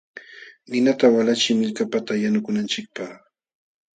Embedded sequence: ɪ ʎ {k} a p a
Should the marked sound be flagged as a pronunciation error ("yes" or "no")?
no